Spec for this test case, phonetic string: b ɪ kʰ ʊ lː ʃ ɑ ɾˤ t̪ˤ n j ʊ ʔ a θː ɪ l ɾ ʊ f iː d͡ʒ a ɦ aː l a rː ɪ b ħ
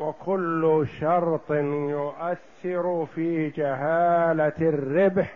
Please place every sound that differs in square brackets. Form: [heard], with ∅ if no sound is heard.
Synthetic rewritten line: [w] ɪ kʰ ʊ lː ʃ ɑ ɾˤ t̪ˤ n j ʊ ʔ a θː ɪ [∅] ɾ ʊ f iː d͡ʒ a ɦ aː l a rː ɪ b ħ